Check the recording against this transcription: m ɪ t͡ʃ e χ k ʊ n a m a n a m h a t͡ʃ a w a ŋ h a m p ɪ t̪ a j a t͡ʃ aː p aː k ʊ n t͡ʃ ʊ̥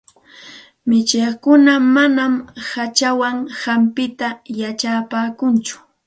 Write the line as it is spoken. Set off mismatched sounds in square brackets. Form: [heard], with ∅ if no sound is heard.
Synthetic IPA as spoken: m ɪ t͡ʃ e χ k ʊ n a m a n a m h a t͡ʃ a w a ŋ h a m p ɪ t̪ a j a t͡ʃ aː p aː k ʊ n t͡ʃ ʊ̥